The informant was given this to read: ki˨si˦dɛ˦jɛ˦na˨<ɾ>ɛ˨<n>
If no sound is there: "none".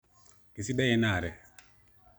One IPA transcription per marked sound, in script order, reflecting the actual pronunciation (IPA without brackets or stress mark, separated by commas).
ɾ, none